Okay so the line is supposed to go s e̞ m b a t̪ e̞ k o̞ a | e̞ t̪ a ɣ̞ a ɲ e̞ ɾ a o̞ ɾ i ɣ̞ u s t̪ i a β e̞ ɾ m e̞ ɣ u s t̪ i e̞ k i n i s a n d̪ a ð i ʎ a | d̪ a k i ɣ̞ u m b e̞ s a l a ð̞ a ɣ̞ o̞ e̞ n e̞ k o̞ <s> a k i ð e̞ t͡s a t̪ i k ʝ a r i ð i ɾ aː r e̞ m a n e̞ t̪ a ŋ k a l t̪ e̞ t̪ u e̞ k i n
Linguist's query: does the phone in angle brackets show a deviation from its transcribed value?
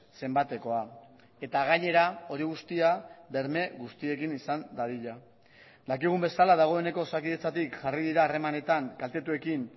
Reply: no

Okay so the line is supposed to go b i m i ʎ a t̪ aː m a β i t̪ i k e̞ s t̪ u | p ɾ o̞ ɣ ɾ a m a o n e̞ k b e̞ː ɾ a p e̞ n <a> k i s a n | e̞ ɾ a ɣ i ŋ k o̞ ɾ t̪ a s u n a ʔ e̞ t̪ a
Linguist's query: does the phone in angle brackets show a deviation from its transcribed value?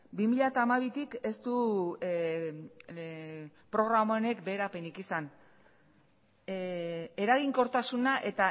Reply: yes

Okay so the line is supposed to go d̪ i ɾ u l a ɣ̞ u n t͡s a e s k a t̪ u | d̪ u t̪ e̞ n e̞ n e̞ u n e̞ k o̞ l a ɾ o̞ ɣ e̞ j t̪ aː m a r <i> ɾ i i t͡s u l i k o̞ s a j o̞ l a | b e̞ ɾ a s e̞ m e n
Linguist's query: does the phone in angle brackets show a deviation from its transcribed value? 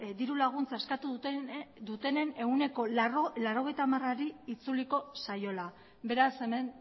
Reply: yes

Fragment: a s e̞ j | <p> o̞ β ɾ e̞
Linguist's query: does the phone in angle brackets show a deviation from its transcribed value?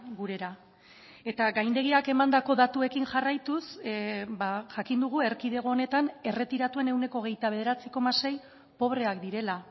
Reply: no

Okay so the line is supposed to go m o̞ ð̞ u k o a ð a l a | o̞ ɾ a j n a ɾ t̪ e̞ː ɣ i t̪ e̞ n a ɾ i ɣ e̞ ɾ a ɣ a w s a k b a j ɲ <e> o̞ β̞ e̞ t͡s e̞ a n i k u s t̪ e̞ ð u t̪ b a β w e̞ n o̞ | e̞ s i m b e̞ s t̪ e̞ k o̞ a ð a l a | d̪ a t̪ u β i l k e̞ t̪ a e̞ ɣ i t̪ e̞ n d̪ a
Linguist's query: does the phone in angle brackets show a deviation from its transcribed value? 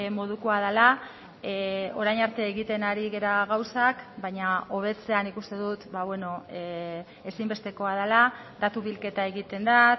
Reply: yes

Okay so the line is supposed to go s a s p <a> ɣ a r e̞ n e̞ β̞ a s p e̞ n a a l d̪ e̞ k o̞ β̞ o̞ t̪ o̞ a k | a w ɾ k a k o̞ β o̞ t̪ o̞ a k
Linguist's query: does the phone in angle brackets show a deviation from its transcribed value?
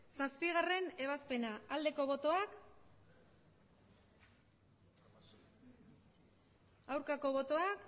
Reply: yes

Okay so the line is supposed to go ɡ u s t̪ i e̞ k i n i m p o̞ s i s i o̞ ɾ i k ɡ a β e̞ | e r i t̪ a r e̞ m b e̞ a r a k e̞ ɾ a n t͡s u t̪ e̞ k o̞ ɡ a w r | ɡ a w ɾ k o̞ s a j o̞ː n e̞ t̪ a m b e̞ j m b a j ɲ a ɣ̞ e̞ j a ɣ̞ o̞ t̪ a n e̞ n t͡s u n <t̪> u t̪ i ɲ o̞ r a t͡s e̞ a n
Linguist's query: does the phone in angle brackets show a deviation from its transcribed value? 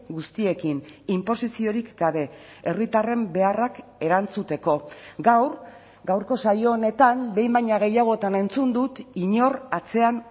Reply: yes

